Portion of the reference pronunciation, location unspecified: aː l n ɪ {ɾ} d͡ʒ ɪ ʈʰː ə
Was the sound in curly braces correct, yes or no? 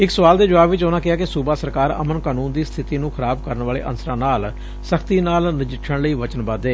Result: no